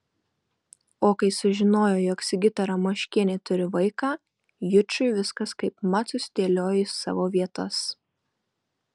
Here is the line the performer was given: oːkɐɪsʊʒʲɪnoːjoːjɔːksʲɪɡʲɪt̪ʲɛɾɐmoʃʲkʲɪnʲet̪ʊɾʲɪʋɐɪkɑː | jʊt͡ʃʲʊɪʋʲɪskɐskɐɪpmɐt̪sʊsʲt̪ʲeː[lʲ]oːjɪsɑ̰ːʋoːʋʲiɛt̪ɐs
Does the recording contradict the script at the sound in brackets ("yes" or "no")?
no